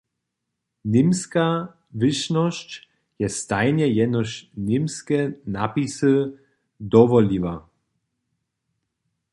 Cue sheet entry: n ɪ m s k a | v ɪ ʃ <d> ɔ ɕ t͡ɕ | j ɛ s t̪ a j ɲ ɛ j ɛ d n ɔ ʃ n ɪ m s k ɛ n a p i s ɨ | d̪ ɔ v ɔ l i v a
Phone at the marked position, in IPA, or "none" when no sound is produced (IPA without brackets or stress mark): n